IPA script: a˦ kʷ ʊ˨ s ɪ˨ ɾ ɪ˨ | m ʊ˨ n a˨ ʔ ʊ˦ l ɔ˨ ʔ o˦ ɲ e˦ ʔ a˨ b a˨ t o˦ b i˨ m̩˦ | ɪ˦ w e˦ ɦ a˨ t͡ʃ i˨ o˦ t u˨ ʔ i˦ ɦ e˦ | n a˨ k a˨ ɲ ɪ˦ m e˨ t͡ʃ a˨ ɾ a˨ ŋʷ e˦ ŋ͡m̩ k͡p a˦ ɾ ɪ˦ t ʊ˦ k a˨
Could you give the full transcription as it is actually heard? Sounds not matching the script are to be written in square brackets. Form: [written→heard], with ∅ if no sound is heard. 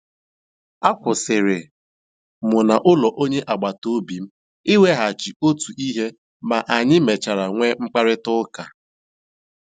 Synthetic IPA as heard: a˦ kʷ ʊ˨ s ɪ˨ ɾ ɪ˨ | m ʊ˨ n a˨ ʔ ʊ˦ l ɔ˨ ʔ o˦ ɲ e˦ ʔ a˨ [b→ɡ͡b] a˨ t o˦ b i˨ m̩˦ | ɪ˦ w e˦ ɦ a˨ t͡ʃ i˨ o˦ t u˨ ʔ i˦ ɦ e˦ | [n→m] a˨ [k→ʔ] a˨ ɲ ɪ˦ m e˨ t͡ʃ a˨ ɾ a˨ ŋʷ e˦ ŋ͡m̩ k͡p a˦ ɾ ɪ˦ t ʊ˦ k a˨

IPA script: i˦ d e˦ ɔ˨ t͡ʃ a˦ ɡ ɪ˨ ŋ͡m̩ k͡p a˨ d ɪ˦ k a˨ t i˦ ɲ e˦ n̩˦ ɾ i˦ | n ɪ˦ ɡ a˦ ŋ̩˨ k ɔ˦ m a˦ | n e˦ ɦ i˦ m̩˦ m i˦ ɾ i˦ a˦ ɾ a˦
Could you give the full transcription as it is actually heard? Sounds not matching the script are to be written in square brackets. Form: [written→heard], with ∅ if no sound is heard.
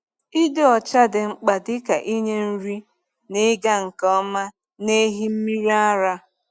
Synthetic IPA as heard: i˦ d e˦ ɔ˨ t͡ʃ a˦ [ɡ→d] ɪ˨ ŋ͡m̩ k͡p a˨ d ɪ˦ k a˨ [t→ʔ] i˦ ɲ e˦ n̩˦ ɾ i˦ | n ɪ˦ ɡ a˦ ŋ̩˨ k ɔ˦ m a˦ | n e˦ ɦ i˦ m̩˦ m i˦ ɾ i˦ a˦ ɾ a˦

